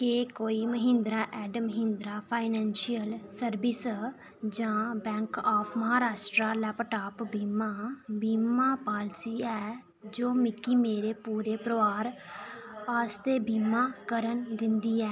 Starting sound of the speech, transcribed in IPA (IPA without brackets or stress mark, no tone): k